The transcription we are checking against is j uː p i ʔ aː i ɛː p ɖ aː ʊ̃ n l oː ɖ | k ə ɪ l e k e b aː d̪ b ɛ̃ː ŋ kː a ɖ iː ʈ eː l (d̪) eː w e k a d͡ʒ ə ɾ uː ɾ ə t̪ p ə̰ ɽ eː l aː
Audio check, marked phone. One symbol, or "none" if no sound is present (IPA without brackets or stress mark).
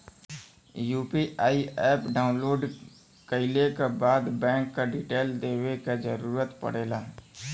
d̪